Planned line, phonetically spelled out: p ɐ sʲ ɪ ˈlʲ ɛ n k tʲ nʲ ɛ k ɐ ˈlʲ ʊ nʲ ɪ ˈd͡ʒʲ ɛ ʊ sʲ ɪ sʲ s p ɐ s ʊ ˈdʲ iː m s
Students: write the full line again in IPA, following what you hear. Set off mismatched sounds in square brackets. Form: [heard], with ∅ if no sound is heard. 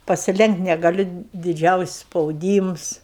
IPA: p ɐ sʲ ɪ ˈlʲ ɛ [ŋ] k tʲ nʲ ɛ [ɡ] ɐ ˈlʲ ʊ [dʲ] ɪ ˈd͡ʒʲ ɛ ʊ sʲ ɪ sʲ s p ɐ [∅] ʊ ˈdʲ iː m s

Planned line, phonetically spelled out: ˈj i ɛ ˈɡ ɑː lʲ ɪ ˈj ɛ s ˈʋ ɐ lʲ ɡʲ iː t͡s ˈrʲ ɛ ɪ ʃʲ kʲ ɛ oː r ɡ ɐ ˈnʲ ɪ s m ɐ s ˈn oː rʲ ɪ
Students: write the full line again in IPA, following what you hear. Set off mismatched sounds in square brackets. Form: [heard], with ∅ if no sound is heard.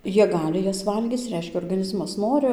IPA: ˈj i ɛ ˈɡ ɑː lʲ ɪ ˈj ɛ s ˈʋ ɐ lʲ ɡʲ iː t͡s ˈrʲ ɛ ɪ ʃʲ kʲ ɛ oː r ɡ ɐ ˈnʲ ɪ [z] m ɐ s ˈn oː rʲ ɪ

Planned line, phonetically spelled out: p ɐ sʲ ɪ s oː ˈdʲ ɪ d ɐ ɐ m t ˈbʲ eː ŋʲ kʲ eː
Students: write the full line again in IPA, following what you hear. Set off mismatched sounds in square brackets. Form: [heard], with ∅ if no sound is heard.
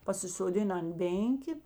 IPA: p ɐ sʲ ɪ s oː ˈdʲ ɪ [n] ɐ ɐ [n] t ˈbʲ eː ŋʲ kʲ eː

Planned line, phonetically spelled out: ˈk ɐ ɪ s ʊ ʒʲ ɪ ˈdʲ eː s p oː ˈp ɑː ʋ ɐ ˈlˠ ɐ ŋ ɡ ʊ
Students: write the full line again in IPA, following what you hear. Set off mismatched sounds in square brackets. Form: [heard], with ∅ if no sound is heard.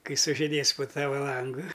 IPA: ˈk ɐ ɪ s ʊ ʒʲ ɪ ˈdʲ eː s p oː [ˈt] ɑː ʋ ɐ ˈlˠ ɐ ŋ ɡ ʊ

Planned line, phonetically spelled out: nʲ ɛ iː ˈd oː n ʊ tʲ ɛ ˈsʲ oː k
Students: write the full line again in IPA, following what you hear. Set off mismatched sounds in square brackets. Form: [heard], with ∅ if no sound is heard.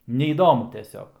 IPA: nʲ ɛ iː ˈd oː [m] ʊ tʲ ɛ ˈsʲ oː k

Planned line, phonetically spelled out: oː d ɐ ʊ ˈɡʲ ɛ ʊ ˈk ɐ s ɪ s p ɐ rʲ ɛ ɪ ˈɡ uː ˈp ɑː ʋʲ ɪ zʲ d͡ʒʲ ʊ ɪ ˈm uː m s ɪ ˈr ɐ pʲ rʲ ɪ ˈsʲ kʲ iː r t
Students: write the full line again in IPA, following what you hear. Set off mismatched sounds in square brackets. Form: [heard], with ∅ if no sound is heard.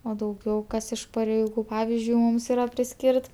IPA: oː d ɐ ʊ ˈɡʲ ɛ ʊ ˈk ɐ s ɪ [ʃ] p ɐ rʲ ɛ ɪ ˈɡ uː ˈp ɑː ʋʲ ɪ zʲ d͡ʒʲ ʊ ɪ ˈm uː m s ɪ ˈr ɐ pʲ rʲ ɪ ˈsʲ kʲ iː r t

